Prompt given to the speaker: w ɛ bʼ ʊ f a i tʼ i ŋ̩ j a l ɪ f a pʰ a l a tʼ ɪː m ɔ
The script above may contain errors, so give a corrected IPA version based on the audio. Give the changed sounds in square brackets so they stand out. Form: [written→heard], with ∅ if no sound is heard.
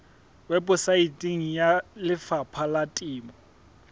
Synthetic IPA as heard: w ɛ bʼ ʊ [f→s] a i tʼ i ŋ̩ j a l ɪ f a pʰ a l a tʼ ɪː m ɔ